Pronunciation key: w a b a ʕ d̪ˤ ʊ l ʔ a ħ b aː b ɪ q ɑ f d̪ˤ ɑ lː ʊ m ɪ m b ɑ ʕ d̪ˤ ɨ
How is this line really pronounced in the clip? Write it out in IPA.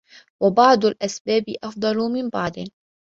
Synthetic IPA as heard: w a b ɑ ʕ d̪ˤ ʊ l ʔ a s b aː b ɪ ʔ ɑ f d̪ˤ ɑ l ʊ m ɪ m b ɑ ʕ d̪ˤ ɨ